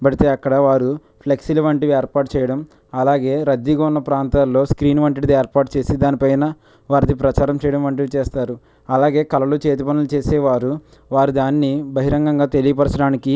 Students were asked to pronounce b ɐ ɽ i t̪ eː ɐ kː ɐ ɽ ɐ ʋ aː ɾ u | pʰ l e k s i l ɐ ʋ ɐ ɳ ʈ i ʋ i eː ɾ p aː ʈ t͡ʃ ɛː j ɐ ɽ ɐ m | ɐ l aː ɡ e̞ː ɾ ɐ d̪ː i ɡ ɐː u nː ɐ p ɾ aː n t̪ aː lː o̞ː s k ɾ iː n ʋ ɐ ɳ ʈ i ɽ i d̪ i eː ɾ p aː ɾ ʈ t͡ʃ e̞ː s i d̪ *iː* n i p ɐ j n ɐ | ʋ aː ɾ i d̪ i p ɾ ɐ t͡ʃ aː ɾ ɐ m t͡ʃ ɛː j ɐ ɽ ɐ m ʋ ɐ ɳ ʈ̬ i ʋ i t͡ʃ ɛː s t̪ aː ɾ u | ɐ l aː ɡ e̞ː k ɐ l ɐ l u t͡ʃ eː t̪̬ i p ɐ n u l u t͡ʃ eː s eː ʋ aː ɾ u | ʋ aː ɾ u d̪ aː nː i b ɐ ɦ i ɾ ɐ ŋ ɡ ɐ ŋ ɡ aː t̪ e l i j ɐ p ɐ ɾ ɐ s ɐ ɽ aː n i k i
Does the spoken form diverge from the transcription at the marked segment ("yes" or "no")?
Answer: yes